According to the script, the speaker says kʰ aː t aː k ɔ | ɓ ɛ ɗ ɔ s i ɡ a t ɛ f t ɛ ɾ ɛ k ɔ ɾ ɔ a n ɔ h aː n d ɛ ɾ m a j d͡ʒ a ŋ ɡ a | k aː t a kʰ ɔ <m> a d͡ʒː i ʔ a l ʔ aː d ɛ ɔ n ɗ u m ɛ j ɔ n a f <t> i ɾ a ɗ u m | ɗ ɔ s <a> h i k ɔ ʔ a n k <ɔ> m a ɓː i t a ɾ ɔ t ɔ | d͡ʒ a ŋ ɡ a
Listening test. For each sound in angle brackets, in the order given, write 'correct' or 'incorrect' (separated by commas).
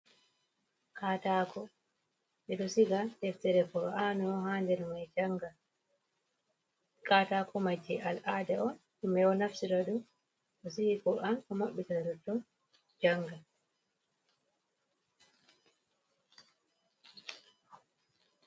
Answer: correct, incorrect, incorrect, correct